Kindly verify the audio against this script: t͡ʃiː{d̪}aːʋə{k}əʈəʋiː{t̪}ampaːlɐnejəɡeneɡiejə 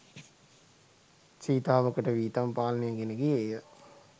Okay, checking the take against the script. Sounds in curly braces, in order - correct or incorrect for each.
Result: incorrect, correct, correct

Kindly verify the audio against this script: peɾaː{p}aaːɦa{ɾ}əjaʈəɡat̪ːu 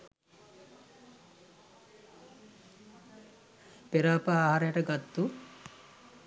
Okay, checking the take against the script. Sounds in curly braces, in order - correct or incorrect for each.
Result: correct, correct

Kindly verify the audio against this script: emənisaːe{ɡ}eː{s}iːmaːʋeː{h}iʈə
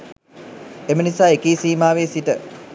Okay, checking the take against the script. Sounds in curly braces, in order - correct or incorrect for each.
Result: incorrect, correct, incorrect

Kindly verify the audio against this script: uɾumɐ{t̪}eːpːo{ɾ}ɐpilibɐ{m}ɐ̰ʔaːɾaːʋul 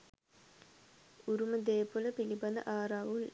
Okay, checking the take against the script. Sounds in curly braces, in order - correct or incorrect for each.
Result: incorrect, incorrect, incorrect

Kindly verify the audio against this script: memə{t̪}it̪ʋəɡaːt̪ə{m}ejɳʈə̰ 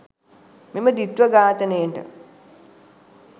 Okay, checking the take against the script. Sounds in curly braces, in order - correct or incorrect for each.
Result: incorrect, incorrect

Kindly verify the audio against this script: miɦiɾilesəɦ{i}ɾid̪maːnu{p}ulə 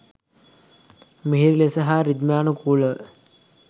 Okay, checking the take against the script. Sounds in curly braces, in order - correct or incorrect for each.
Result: incorrect, incorrect

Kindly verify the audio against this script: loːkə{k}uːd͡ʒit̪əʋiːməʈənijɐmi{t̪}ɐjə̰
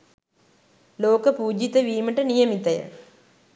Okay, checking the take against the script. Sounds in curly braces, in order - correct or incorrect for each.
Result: incorrect, correct

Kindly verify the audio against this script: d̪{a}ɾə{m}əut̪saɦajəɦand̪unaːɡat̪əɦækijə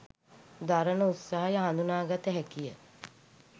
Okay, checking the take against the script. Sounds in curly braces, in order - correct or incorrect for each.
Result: correct, incorrect

